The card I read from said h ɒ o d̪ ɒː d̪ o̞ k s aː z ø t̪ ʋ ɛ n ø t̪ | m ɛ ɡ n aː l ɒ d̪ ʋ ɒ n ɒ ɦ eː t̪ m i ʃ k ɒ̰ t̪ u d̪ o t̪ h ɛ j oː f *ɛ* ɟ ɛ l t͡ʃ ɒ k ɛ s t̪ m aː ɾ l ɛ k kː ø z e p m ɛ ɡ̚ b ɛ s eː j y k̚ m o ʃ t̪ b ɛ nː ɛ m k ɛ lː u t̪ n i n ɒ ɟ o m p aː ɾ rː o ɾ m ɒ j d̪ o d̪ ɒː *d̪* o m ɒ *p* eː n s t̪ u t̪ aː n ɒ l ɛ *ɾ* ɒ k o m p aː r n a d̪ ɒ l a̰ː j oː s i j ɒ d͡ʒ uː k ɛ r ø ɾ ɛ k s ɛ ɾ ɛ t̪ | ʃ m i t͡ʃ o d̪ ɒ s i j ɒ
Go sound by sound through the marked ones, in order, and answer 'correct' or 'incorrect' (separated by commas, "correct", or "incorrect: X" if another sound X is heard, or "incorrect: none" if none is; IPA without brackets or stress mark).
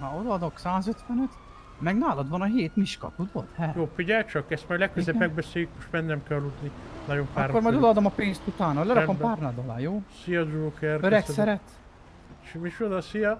incorrect: i, correct, correct, correct